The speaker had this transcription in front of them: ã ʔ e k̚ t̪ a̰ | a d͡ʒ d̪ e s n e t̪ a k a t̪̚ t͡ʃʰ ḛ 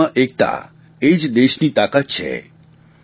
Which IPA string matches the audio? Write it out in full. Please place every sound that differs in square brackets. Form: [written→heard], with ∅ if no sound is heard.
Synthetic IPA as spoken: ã ʔ e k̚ t̪ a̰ | [a→e] d͡ʒ d̪ e [s→ʃ] n [e→i] t̪ a k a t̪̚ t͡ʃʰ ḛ